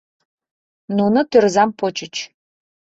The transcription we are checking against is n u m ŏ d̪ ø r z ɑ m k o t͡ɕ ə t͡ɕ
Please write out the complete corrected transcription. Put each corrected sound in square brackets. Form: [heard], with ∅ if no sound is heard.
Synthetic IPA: n u [n] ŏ [t̪] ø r z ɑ m [p] o t͡ɕ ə t͡ɕ